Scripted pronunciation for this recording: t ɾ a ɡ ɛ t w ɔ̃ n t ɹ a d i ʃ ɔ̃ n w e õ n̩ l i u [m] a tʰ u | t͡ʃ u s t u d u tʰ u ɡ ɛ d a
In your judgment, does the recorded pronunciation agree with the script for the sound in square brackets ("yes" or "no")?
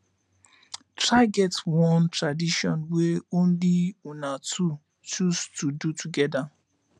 no